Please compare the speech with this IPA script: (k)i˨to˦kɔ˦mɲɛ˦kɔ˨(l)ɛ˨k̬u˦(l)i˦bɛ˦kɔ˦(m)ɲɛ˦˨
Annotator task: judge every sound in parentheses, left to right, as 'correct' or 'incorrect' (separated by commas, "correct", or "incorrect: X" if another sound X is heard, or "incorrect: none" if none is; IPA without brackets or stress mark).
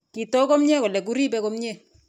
correct, correct, incorrect: ɾ, correct